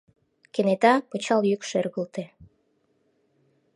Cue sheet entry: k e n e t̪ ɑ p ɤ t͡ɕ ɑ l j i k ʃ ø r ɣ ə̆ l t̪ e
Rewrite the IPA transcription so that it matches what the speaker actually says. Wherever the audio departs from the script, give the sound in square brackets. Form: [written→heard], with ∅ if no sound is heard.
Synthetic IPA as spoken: k e n e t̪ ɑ p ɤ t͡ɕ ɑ l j [i→y] k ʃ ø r ɣ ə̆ l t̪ e